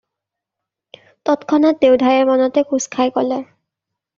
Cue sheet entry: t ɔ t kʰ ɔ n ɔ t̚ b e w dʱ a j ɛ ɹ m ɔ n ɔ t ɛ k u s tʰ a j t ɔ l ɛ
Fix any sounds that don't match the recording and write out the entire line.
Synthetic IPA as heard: t ɔ t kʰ ɔ n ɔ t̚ d e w dʱ a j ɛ ɹ m ɔ n ɔ t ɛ k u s kʰ a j k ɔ l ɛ